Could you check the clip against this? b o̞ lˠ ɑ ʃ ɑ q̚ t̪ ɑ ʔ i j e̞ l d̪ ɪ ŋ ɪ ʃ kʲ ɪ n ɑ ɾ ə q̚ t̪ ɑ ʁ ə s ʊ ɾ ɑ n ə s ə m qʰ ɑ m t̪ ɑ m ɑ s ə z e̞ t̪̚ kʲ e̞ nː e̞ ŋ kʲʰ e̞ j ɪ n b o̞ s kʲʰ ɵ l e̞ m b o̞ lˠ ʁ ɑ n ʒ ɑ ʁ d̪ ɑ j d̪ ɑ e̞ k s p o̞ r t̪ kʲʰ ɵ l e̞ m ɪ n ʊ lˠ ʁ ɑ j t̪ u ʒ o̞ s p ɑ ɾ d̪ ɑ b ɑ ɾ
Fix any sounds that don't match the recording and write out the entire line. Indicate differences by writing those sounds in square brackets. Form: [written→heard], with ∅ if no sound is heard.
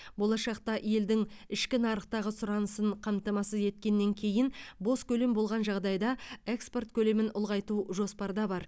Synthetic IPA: b o̞ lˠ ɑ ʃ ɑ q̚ t̪ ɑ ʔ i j e̞ l d̪ ɪ ŋ ɪ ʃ kʲ ɪ n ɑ ɾ ə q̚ t̪ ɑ ʁ ə s ʊ ɾ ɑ n ə s ə [m→ɴ] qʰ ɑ m t̪ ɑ m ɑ s ə z e̞ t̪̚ kʲ e̞ nː e̞ ŋ kʲʰ e̞ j ɪ n b o̞ s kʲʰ ɵ l e̞ m b o̞ lˠ ʁ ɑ n ʒ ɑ ʁ d̪ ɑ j d̪ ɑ e̞ k s p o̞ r t̪ kʲʰ ɵ l e̞ m ɪ n ʊ lˠ ʁ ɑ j t̪ u ʒ o̞ s p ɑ ɾ d̪ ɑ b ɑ ɾ